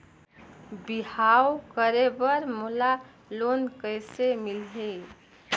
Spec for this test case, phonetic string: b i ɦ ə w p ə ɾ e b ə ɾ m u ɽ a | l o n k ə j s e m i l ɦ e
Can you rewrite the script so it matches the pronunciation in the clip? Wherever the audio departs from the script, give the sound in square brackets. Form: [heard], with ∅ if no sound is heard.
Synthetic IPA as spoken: b i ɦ [a] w [k] ə ɾ e b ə ɾ m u [l] a | l o n k ə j s e m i l ɦ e